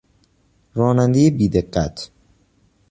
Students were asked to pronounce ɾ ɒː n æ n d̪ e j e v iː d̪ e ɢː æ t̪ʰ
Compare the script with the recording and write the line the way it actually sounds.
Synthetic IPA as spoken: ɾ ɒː n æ n d̪ e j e b iː d̪ e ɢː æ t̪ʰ